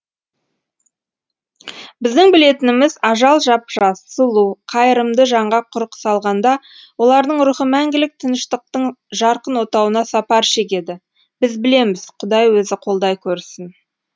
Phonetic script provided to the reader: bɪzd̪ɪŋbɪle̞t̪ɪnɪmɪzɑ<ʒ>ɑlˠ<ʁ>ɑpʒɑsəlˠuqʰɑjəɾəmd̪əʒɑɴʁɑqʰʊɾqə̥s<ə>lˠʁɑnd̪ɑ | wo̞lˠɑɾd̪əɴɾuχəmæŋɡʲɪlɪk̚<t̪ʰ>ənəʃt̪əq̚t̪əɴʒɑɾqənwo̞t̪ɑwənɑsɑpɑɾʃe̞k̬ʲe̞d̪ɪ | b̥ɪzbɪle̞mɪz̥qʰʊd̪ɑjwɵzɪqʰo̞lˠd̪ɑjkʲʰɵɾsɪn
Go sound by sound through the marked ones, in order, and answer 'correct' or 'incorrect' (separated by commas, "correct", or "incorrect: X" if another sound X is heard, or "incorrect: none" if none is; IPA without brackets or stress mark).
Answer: correct, incorrect: ʒ, incorrect: ɑ, correct